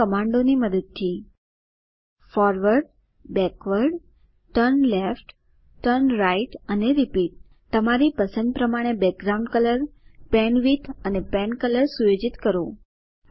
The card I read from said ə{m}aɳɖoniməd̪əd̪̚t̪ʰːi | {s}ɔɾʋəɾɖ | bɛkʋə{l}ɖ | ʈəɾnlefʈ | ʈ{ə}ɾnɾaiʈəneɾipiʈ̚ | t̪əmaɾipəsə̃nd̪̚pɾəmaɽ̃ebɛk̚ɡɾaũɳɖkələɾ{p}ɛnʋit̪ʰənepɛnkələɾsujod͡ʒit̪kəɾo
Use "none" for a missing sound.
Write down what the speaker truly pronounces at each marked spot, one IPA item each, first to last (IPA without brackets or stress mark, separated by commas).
m, f, ɾ, ə, p